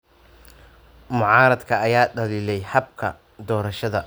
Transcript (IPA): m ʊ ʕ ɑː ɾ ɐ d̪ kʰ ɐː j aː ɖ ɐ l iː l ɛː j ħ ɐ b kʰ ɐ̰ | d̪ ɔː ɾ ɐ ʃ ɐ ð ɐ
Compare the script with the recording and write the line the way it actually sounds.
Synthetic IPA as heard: m ʊ ʕ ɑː ɾ ɐ d̪ kʰ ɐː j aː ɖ ɐ l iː l ɛ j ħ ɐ b kʰ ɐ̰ | d̪ ɔː ɾ ɐ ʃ ɐ ð ɐ